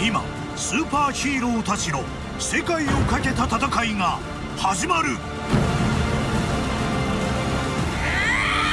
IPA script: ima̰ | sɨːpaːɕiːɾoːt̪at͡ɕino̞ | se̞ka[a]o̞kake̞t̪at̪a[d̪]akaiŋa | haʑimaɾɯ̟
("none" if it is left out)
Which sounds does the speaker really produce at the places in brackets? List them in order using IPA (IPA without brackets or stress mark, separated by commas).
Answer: i, t̪